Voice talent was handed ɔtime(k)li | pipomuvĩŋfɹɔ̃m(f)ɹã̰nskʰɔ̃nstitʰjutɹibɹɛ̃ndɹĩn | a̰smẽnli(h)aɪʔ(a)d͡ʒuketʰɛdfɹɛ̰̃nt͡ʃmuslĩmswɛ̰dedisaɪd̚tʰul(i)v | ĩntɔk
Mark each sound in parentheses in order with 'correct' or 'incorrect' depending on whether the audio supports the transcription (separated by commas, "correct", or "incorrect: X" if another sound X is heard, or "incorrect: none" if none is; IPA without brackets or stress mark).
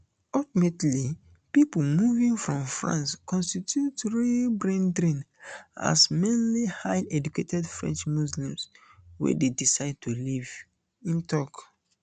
incorrect: t, correct, correct, incorrect: ɛ, correct